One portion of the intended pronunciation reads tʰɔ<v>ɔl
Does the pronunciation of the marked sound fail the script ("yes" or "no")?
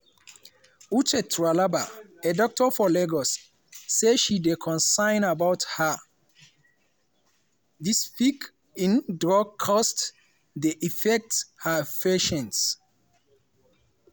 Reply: yes